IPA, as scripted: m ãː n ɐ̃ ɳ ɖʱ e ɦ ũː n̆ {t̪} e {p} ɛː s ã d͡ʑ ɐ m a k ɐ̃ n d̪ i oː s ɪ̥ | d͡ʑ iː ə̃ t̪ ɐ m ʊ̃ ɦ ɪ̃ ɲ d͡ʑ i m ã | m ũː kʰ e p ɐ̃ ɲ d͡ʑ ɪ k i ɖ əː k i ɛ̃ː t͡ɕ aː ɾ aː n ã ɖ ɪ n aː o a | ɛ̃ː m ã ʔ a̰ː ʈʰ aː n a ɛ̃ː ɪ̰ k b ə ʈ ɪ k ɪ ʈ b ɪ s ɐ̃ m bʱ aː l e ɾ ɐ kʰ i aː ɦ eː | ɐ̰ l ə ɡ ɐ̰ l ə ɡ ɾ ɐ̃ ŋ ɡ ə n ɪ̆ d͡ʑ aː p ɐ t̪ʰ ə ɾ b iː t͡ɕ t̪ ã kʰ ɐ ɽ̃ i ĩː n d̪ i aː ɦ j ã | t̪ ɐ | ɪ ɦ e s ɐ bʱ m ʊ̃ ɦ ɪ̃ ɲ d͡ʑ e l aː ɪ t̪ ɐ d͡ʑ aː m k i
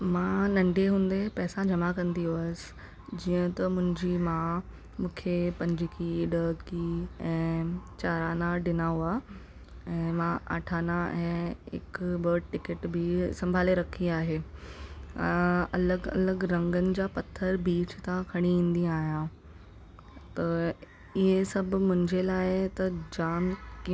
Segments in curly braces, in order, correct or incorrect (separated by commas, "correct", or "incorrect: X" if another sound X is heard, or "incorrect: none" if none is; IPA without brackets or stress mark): incorrect: d̪, correct